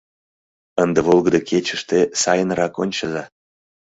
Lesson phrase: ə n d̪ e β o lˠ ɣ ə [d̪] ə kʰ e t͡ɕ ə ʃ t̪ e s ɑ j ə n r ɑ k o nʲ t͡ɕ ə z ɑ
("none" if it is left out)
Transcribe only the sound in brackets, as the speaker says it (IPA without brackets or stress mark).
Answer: d̪